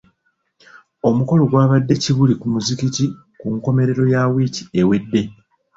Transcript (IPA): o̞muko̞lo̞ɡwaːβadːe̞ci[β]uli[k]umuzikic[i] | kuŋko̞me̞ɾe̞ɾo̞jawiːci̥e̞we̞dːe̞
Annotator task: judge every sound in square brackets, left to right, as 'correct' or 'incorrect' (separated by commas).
correct, correct, correct